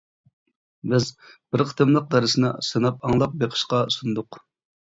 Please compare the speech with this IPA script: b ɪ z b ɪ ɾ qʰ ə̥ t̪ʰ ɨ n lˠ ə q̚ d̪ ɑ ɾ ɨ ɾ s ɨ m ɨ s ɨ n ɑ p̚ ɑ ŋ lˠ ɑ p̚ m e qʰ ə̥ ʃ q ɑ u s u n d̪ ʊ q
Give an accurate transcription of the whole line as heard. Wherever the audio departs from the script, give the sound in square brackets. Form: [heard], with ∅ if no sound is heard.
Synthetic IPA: b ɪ z b ɪ ɾ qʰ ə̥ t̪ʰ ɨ [m] lˠ ə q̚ d̪ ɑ ɾ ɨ [∅] s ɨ [n] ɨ s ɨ n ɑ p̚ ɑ ŋ lˠ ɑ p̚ [b] e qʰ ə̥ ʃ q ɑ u s u n d̪ ʊ q